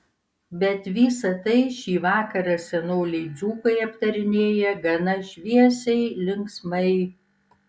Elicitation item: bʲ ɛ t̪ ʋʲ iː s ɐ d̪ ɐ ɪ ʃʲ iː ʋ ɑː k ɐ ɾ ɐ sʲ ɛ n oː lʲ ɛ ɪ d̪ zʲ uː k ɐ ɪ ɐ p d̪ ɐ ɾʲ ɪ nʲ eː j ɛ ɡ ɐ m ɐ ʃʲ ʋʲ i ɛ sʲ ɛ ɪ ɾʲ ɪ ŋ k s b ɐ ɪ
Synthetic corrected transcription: bʲ ɛ t̪ ʋʲ iː s ɐ t̪ ɐ ɪ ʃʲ iː ʋ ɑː k ɐ ɾ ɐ sʲ ɛ n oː lʲ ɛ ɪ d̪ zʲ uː k ɐ ɪ ɐ p t̪ ɐ ɾʲ ɪ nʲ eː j ɛ ɡ ɐ n ɐ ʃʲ ʋʲ i ɛ sʲ ɛ ɪ lʲ ɪ ŋ k s m ɐ ɪ